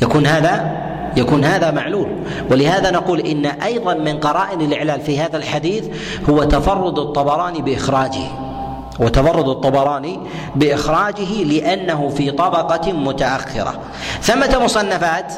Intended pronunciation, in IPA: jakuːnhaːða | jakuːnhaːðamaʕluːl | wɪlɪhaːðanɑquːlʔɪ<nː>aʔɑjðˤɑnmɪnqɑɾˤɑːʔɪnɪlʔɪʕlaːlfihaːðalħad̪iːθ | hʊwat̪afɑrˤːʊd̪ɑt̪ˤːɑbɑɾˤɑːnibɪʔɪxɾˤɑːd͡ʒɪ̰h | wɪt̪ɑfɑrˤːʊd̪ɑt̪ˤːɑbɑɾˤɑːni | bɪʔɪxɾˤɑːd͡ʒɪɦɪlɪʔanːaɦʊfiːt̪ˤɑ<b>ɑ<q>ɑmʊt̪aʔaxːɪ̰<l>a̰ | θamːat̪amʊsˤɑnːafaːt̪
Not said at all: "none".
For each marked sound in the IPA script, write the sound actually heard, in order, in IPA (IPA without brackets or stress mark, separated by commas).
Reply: nː, b, q, ɾ